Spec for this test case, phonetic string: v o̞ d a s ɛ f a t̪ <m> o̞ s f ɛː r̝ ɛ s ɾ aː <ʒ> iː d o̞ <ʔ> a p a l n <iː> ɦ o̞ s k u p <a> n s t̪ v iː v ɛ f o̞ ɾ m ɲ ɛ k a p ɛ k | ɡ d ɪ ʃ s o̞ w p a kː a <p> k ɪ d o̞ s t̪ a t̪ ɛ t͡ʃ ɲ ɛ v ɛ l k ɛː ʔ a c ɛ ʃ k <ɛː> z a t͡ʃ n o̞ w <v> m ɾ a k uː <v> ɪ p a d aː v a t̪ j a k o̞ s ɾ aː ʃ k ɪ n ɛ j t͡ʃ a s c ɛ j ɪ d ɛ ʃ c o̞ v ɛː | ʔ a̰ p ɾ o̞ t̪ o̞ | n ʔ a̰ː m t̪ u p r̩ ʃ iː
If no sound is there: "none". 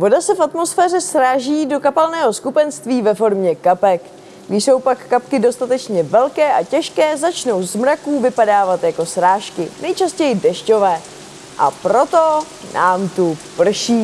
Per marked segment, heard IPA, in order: m, ʒ, k, ɛː, ɛ, p, ɛː, z, v

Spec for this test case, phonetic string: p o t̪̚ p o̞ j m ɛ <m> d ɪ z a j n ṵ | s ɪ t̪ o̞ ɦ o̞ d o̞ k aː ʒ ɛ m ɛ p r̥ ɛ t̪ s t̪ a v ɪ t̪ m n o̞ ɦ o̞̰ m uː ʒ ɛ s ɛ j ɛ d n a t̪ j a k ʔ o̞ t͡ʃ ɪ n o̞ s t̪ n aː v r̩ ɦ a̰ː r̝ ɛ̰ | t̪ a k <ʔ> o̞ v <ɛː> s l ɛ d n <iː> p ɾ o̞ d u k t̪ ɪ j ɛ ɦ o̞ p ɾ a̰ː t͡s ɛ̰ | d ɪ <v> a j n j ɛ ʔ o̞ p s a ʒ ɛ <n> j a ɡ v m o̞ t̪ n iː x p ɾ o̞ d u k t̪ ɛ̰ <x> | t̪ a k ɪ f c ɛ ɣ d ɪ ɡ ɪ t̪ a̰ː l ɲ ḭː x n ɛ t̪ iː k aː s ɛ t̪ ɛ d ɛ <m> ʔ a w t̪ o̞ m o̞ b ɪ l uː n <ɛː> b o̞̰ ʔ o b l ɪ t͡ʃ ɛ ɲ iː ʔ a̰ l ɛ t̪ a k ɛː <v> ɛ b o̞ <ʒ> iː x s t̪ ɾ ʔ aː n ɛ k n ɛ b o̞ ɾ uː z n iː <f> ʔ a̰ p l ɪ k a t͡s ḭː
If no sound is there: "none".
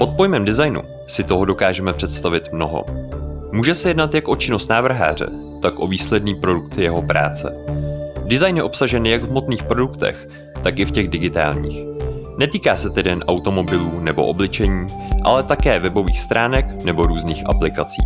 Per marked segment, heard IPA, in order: m, ʔ, iː, iː, z, n, x, n, ɛ, v, v, x

